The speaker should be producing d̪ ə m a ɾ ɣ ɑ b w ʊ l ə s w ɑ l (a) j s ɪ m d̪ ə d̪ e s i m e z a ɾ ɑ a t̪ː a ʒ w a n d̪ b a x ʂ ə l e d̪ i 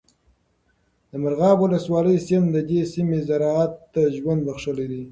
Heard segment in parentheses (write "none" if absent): ə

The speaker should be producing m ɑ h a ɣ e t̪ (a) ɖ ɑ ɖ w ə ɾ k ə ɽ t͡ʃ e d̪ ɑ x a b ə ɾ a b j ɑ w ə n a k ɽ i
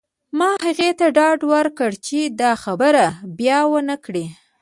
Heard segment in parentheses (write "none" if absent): a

